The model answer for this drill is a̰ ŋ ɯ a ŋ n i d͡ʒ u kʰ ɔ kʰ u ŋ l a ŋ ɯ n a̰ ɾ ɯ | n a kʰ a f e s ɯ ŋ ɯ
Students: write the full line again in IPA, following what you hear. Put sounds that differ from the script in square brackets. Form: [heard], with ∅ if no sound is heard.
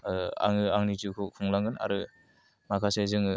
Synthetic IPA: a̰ ŋ ɯ a ŋ n i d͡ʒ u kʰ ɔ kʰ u ŋ l a ŋ ɯ n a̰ ɾ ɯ | [m] a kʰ a [s] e [z] ɯ ŋ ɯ